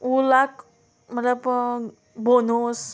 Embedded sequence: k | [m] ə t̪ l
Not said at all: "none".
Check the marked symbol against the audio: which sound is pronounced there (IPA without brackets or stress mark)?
m